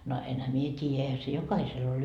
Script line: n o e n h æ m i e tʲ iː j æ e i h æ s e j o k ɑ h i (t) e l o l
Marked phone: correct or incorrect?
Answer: incorrect